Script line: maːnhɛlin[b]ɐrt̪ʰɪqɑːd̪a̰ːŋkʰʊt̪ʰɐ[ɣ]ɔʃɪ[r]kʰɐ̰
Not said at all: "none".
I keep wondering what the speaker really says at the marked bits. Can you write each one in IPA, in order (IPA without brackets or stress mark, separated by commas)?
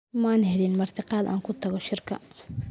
m, ɣ, r